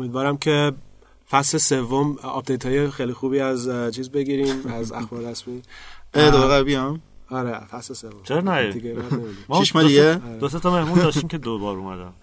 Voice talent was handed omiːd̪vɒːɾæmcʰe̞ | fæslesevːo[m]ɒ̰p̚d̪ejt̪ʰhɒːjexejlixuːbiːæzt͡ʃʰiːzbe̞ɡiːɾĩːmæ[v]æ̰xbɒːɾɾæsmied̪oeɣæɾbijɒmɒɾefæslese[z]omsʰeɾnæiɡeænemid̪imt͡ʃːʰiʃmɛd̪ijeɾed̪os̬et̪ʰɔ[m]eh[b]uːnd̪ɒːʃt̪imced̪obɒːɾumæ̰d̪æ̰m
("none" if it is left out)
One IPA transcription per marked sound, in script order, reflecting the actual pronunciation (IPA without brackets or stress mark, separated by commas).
m, z, v, m, m